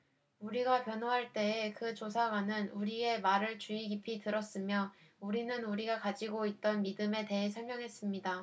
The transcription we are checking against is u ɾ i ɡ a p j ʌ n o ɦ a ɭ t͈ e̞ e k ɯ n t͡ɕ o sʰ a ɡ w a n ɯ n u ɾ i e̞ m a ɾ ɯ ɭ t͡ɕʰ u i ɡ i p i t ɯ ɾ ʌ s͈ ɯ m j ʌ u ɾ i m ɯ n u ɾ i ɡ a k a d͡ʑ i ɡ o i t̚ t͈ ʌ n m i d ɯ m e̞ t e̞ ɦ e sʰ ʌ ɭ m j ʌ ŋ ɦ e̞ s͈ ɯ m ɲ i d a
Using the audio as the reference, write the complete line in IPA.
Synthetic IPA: u ɾ i ɡ a p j ʌ n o ɦ a ɭ t͈ e̞ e k ɯ t͡ɕ o sʰ a ɡ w a n ɯ n u ɾ i e̞ m a ɾ ɯ ɭ t͡ɕ u i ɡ i pʰ i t ɯ ɾ ʌ s͈ ɯ m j ʌ u ɾ i n ɯ n u ɾ i ɡ a k a d͡ʑ i ɡ o i t̚ t͈ ʌ n m i d ɯ m e̞ t e̞ ɦ e sʰ ʌ ɭ m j ʌ ŋ ɦ e̞ s͈ ɯ m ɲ i d a